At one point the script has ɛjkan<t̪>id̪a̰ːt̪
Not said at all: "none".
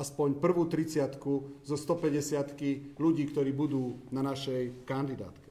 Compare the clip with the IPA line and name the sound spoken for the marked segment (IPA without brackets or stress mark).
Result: d̪